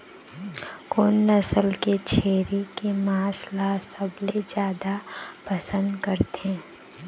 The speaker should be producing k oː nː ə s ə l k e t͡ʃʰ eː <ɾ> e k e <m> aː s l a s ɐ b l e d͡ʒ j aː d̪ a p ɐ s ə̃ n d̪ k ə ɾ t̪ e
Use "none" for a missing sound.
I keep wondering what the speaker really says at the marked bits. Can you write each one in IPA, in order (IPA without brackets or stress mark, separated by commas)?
ɾ, m